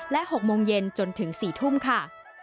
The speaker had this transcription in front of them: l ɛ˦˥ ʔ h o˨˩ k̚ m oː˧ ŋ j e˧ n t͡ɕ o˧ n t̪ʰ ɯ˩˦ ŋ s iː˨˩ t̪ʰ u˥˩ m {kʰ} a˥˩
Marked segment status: correct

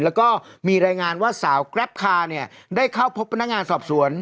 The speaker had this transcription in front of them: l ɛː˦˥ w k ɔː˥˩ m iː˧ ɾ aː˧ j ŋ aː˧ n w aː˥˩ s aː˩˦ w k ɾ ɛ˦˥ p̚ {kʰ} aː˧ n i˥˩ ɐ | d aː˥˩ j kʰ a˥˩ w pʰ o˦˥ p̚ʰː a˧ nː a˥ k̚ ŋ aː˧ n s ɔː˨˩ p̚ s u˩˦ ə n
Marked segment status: correct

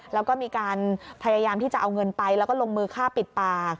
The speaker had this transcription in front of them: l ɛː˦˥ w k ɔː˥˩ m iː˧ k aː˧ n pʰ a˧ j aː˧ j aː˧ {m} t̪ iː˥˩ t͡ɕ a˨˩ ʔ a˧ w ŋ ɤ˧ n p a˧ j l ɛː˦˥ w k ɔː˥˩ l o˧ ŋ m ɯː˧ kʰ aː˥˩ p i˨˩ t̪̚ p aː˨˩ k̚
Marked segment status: correct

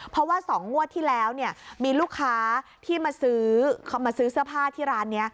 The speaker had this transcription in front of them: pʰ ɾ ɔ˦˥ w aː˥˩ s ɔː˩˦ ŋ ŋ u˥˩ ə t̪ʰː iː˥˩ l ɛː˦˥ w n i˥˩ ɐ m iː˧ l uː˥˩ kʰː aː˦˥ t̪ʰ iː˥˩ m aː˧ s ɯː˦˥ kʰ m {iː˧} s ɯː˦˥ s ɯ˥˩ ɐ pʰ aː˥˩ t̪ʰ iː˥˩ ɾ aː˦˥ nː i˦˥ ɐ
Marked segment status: incorrect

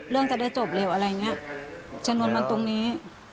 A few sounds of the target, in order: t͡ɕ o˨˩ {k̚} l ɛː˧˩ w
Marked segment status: incorrect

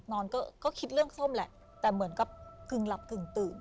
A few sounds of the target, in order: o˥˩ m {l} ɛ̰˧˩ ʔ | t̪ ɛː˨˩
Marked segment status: correct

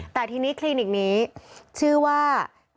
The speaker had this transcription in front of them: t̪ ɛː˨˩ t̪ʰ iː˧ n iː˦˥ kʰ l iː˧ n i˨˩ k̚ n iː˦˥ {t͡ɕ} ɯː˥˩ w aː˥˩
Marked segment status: incorrect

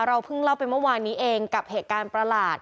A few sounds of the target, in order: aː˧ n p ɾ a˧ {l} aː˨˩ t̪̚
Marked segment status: correct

